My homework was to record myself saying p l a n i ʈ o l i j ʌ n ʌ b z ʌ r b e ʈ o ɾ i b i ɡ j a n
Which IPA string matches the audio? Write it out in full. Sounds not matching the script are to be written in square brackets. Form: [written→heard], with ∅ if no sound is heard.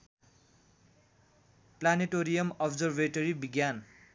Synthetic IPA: p l a n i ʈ o [l→ɾ] i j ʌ [n→m] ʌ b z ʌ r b e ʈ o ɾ i b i ɡ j a n

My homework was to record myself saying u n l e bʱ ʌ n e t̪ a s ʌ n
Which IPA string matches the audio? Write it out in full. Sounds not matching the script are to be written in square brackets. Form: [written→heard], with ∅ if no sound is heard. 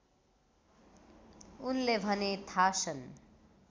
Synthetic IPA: u n l e bʱ ʌ n e [t̪→t̪ʰ] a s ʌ n

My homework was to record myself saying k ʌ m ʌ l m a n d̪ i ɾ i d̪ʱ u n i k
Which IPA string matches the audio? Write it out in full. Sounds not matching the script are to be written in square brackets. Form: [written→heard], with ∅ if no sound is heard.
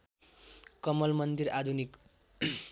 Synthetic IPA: k ʌ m ʌ l m [a→ʌ] n d̪ i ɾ [i→a] d̪ʱ u n i k

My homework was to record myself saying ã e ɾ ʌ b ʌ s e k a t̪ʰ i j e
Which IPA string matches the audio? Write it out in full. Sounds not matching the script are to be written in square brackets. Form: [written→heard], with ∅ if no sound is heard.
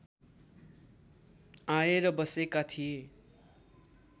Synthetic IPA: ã e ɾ ʌ b ʌ s e k a t̪ʰ i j e

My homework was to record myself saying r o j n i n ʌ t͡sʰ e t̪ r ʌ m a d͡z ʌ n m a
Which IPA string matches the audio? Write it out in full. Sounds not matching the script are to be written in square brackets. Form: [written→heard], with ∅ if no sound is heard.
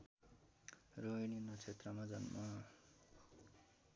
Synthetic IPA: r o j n i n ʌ t͡sʰ e t̪ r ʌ m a d͡z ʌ n m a

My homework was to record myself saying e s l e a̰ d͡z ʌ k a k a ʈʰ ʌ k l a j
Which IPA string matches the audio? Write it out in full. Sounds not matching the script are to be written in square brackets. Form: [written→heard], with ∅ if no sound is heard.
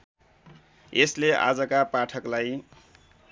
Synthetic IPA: e s l e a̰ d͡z ʌ k a [k→p] a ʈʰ ʌ k l a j

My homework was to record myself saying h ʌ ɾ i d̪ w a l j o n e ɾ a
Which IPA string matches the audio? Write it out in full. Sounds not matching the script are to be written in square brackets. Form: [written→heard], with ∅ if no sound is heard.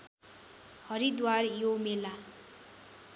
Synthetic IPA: h ʌ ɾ i d̪ w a [l→r] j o [n→m] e [ɾ→l] a

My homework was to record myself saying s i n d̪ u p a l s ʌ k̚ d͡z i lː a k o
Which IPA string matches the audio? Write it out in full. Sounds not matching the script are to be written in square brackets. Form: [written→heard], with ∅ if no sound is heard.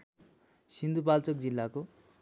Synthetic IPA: s i n d̪ u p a l [s→t͡s] ʌ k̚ d͡z i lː a k o

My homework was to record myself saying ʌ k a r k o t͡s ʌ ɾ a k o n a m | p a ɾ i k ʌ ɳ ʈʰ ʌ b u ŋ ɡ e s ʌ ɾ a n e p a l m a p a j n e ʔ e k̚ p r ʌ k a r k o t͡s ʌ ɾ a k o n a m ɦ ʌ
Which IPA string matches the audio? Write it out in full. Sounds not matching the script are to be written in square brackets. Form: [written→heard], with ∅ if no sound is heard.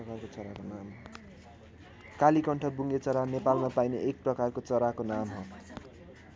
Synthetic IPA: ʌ k a r k o t͡s ʌ ɾ a k o n a m | [p→k] a [ɾ→l] i k ʌ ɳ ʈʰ ʌ b u ŋ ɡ e [s→t͡s] ʌ ɾ a n e p a l m a p a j n e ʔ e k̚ p r ʌ k a r k o t͡s ʌ ɾ a k o n a m ɦ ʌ

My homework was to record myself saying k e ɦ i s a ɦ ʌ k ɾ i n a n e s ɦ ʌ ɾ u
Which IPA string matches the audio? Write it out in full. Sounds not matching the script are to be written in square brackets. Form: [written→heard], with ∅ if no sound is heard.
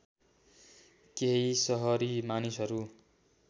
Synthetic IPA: k e ɦ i s [a→ʌ] ɦ ʌ [k→∅] ɾ i [n→m] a n [e→i] s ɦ ʌ ɾ u

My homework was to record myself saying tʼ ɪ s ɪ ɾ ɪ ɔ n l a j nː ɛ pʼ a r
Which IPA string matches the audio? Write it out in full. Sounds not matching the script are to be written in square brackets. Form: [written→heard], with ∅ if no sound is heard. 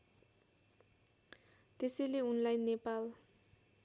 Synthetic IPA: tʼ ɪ s ɪ [ɾ→l] ɪ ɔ n l a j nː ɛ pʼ a [r→l]

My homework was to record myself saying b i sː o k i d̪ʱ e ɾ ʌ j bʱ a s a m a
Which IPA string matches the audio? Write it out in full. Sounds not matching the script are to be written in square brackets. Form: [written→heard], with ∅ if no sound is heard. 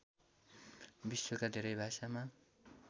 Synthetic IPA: b i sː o k [i→a] d̪ʱ e ɾ ʌ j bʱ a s a m a

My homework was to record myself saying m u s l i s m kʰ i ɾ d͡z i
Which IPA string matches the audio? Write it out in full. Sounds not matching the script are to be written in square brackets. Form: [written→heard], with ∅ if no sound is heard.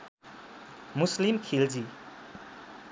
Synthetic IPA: m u s l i [s→∅] m kʰ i [ɾ→l] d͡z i

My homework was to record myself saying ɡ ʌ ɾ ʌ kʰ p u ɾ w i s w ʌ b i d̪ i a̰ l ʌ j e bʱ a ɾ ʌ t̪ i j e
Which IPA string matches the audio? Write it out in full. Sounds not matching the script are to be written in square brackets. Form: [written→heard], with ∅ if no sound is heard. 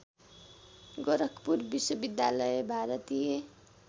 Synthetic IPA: ɡ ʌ ɾ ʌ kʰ p u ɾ [w→b] i s w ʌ b i d̪ [i→j] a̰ l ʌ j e bʱ a ɾ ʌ t̪ i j e

